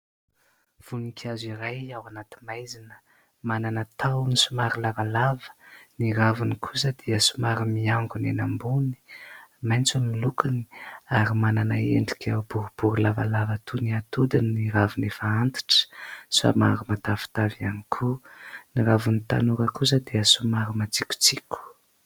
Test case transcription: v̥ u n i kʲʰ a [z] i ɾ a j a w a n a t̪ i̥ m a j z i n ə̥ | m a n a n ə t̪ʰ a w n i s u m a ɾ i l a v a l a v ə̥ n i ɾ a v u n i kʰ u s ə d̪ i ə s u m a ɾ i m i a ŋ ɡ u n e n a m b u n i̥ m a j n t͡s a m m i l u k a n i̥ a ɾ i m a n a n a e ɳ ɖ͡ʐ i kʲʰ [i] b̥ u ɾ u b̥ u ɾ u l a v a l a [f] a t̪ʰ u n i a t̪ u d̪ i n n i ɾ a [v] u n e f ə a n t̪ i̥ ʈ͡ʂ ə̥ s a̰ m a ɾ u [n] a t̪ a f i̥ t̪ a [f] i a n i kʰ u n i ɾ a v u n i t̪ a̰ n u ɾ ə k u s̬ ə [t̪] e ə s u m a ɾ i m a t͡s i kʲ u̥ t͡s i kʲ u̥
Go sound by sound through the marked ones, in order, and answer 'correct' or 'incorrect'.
correct, incorrect: a, incorrect: v, correct, incorrect: m, incorrect: v, incorrect: d̪

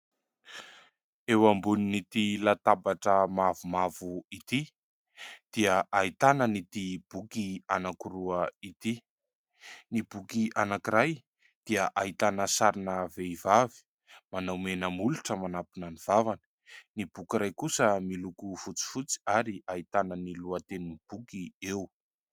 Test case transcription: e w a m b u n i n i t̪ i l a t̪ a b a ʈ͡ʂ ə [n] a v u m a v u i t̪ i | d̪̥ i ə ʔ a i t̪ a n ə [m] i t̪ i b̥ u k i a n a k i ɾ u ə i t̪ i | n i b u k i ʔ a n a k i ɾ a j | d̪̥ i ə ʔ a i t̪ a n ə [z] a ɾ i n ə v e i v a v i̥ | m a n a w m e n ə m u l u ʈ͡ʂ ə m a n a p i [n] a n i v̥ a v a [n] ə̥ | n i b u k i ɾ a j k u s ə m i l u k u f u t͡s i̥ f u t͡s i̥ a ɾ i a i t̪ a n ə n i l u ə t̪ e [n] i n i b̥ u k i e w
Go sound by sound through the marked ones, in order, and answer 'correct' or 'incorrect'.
incorrect: m, incorrect: n, incorrect: s, correct, correct, correct

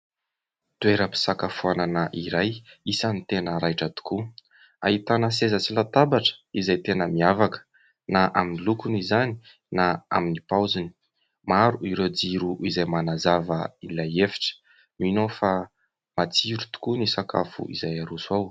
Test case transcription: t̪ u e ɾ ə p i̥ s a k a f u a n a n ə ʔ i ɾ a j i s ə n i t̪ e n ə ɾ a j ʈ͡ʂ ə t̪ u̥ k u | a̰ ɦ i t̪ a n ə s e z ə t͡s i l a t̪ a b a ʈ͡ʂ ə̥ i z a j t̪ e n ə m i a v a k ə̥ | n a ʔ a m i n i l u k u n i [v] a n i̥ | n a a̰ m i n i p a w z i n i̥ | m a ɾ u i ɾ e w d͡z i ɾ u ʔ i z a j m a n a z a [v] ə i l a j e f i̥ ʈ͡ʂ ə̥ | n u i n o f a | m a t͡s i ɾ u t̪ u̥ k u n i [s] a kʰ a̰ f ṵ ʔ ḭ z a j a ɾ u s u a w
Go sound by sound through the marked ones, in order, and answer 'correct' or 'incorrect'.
incorrect: z, correct, correct

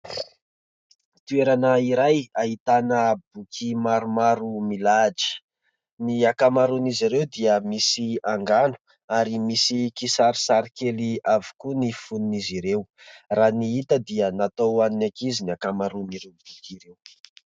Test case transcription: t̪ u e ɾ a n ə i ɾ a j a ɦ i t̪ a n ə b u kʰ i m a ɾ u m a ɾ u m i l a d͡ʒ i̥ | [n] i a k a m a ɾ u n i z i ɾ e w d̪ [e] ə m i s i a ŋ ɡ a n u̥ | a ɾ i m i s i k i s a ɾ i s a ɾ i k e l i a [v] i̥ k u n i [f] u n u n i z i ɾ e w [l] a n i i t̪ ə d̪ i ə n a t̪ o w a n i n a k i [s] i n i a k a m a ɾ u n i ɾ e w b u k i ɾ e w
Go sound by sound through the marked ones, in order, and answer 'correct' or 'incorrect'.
correct, incorrect: i, correct, correct, incorrect: r, incorrect: z

